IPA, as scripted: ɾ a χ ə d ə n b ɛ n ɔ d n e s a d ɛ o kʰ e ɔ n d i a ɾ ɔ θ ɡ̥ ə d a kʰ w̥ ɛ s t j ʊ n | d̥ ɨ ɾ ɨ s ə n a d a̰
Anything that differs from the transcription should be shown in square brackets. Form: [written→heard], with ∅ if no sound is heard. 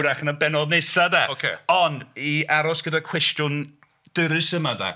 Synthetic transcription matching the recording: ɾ a χ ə [d→n] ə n b ɛ n ɔ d n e s a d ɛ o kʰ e ɔ n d i a ɾ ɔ [θ→s] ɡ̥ ə d a kʰ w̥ ɛ s t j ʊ n | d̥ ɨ ɾ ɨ s ə [n→m] a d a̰

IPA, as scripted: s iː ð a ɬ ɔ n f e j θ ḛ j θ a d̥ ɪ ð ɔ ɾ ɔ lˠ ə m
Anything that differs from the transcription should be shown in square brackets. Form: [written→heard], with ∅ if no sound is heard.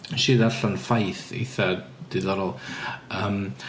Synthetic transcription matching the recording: [s→ʃ] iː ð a ɬ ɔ n f [e→a] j θ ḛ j θ a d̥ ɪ ð ɔ ɾ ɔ lˠ ə m

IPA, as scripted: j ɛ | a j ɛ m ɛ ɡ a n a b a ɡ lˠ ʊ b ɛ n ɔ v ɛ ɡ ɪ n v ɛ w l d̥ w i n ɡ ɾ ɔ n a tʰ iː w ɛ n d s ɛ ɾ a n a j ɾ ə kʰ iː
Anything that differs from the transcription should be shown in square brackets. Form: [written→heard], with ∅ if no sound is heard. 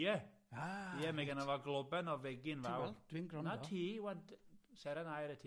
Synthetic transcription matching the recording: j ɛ | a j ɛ m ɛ ɡ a n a [b→v] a ɡ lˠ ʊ b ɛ n ɔ v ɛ ɡ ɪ n v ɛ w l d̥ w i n ɡ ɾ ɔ n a tʰ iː w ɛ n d s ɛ ɾ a n a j ɾ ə [kʰ→tʰ] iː

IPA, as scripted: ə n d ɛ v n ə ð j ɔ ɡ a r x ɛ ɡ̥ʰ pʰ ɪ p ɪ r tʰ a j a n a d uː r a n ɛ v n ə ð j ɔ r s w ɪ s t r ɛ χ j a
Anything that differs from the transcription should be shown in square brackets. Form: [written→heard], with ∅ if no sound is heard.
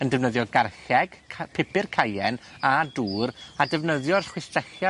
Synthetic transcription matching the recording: ə n d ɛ v n ə ð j ɔ ɡ a r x ɛ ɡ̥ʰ pʰ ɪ p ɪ r [tʰ→kʰ] a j [a→ɛ] n a d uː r a [n→d] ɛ v n ə ð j ɔ r [s→χ] w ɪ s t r ɛ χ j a

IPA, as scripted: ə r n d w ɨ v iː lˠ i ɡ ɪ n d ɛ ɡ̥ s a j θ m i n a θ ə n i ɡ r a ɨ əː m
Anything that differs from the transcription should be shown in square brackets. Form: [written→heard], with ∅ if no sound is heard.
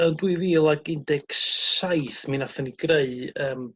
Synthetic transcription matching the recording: ə [r→∅] n d w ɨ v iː lˠ [i→a] ɡ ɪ n d ɛ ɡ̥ s a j θ m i n a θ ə n i ɡ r [a→e] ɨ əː m

